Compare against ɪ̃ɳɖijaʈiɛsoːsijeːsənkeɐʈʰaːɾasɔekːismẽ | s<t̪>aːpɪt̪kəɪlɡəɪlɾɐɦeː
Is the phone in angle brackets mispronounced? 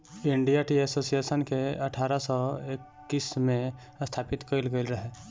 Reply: yes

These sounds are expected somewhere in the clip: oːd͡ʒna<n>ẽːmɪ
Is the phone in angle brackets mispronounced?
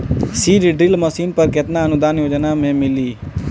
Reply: yes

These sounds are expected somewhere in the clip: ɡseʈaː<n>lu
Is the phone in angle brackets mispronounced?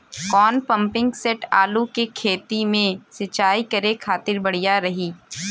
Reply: yes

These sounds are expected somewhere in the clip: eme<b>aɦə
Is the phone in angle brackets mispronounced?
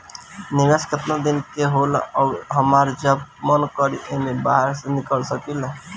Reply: no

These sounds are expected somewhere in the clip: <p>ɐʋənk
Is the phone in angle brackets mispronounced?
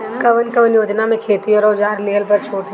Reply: yes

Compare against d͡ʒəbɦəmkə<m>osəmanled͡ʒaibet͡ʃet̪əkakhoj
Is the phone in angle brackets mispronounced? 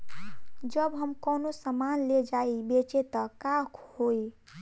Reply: yes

